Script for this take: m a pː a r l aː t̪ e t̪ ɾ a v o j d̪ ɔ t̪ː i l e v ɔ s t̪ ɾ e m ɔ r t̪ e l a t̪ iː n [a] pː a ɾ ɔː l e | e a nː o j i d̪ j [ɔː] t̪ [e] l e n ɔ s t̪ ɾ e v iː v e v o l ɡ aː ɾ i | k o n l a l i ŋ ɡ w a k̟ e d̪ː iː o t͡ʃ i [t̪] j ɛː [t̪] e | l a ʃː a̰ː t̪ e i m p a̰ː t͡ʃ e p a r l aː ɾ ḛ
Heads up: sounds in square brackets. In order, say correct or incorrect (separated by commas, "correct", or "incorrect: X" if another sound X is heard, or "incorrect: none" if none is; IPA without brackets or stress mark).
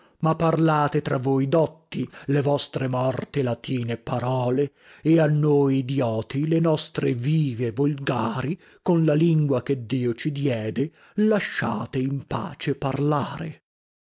incorrect: e, correct, incorrect: i, incorrect: d̪, incorrect: d̪